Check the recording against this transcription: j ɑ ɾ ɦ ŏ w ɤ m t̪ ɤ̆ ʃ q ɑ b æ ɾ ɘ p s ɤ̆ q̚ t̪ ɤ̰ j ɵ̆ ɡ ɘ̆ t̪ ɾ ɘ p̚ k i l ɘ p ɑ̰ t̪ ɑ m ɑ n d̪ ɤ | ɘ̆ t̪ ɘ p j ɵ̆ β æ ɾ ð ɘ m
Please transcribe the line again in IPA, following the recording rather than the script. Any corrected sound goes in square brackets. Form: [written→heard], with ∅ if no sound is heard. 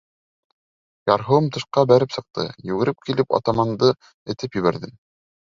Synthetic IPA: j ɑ ɾ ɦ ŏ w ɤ m t̪ ɤ̆ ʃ q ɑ b æ ɾ ɘ p s ɤ̆ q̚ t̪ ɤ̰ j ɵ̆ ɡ ɘ̆ [t̪→∅] ɾ ɘ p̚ k i l ɘ p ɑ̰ t̪ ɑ m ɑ n d̪ ɤ | ɘ̆ t̪ ɘ p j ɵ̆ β æ ɾ ð ɘ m